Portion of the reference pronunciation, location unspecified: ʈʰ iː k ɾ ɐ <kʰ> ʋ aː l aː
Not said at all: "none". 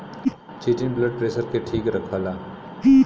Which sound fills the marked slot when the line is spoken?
kʰ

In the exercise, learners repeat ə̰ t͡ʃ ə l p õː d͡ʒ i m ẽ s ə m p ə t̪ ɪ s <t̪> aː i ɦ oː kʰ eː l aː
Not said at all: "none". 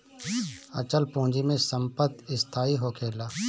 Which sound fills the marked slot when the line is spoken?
t̪ʰ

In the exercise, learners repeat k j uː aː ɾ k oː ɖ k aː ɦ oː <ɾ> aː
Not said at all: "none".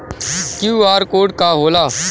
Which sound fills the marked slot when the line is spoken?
l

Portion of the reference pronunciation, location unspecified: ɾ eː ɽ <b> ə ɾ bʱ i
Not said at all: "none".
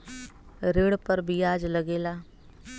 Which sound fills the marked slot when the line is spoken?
p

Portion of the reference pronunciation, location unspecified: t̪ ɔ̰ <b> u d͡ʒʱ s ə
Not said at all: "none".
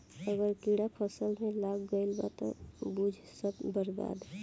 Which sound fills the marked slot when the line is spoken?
b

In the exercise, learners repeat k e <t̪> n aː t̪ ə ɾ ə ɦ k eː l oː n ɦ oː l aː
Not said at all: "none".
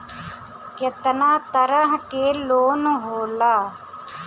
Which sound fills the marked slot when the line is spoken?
t̪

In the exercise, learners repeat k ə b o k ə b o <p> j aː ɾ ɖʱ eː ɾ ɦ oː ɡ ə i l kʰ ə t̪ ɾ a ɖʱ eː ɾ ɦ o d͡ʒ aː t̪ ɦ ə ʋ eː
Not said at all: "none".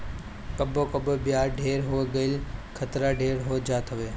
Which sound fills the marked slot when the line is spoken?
b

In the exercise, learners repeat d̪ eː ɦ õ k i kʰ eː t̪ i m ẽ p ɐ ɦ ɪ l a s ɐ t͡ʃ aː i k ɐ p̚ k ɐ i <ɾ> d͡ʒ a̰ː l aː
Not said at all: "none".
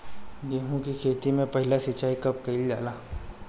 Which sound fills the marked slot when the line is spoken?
l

